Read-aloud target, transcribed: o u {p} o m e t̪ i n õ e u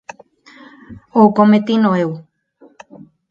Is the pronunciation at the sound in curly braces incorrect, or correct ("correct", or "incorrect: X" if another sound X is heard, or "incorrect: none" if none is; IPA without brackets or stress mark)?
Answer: incorrect: k